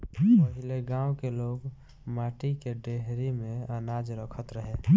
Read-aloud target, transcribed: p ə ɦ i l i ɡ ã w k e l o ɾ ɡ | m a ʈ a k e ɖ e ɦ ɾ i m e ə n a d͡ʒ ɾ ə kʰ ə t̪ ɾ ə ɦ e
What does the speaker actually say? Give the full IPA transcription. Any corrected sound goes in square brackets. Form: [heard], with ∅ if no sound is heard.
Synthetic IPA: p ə ɦ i l [e] ɡ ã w k e l o [∅] ɡ | m a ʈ [i] k e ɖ e ɦ ɾ i m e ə n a d͡ʒ ɾ ə kʰ ə t̪ ɾ ə ɦ e